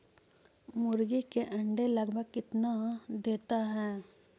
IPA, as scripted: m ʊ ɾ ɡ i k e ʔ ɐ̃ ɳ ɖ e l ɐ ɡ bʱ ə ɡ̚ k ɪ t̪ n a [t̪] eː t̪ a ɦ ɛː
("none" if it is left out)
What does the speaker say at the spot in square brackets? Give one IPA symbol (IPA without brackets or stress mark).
d̪